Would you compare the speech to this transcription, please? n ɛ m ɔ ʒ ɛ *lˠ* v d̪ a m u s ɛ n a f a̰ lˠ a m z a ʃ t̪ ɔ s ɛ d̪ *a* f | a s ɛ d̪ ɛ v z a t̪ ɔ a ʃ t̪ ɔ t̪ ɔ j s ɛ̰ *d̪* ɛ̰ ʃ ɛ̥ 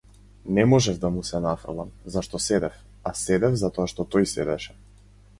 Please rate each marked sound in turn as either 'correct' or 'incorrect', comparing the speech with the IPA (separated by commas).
incorrect, incorrect, correct